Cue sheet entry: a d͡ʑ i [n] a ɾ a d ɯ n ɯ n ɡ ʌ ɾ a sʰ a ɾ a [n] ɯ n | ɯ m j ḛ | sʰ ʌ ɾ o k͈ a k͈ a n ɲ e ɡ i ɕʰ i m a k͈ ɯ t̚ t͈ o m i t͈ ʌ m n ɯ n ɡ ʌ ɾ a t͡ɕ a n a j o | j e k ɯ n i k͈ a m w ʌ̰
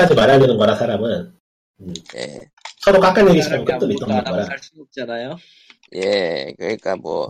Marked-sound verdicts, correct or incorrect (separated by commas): incorrect, incorrect